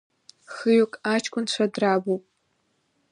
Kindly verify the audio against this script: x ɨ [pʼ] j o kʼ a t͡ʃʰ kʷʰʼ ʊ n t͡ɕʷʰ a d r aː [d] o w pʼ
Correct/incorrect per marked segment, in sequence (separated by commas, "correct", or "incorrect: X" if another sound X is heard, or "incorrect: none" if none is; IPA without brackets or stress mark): incorrect: none, incorrect: b